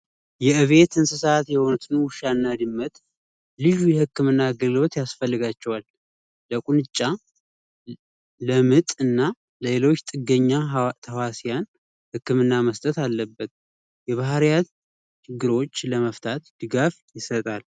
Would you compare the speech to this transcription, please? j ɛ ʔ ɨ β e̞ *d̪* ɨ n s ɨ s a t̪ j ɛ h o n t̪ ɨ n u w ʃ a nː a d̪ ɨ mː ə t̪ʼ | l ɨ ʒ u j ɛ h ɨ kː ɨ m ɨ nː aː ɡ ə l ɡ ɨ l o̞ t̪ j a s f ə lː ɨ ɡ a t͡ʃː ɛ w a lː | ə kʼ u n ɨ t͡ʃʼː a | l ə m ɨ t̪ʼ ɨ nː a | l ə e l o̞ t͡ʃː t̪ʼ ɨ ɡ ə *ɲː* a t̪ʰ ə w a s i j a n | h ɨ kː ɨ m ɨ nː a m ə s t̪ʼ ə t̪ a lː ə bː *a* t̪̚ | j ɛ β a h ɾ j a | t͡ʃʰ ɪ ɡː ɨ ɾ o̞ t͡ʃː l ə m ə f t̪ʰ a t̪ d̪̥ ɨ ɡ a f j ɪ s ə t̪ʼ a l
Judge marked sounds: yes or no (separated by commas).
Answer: no, yes, no